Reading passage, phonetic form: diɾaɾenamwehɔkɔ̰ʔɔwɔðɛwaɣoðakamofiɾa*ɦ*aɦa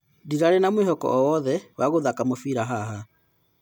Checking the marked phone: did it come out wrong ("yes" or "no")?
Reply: no